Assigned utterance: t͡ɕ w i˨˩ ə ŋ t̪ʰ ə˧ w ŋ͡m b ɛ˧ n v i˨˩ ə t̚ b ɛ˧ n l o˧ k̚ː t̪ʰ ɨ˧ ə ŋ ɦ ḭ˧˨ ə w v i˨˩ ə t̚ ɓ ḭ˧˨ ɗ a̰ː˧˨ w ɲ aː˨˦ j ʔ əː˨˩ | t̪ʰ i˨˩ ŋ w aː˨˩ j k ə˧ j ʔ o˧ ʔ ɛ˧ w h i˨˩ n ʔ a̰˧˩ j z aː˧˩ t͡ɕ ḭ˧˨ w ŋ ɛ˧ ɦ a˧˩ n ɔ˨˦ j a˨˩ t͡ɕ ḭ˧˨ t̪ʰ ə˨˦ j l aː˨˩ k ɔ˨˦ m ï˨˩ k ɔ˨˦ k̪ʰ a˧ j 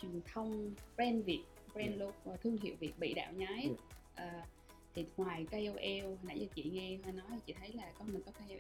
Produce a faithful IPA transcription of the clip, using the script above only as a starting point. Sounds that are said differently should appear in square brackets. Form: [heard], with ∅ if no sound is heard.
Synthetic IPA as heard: t͡ɕ w i˨˩ ə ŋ t̪ʰ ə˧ w ŋ͡m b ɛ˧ n v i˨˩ ə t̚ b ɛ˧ n l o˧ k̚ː t̪ʰ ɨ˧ ə ŋ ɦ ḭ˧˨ ə w v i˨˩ ə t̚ ɓ ḭ˧˨ ɗ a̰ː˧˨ w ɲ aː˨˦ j ʔ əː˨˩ | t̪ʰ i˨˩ ŋ w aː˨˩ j k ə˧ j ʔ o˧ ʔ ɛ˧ w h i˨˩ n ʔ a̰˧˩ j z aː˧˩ t͡ɕ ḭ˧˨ [∅] ŋ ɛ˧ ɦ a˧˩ n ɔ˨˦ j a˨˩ t͡ɕ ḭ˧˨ t̪ʰ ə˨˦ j l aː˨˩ k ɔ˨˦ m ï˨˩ k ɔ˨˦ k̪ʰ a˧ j